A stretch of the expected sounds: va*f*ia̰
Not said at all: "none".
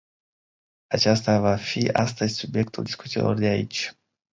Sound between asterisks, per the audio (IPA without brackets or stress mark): f